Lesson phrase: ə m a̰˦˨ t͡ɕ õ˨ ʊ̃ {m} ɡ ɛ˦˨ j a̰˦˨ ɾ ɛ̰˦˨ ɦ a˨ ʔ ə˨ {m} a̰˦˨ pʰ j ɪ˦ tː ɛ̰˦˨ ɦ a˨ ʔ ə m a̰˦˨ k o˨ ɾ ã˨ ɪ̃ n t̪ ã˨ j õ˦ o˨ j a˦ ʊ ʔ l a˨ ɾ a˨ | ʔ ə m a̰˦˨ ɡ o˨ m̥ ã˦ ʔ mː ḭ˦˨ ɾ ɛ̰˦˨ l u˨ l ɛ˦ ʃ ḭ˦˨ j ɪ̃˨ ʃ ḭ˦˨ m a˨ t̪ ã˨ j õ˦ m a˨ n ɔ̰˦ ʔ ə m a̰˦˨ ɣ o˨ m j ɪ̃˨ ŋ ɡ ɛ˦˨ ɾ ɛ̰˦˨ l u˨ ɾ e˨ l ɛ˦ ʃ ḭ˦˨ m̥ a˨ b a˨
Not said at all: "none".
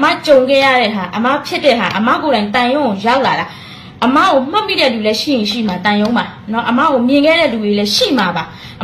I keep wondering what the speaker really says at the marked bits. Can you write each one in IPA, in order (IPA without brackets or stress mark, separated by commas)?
ŋ, m